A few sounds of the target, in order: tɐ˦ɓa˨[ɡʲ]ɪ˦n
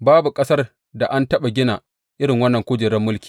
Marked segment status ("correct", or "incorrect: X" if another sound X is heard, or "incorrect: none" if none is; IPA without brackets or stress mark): correct